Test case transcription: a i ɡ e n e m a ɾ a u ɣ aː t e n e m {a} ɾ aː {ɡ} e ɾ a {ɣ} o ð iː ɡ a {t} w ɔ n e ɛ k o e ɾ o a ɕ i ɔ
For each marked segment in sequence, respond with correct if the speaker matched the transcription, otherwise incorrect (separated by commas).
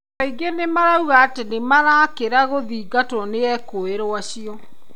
correct, incorrect, correct, correct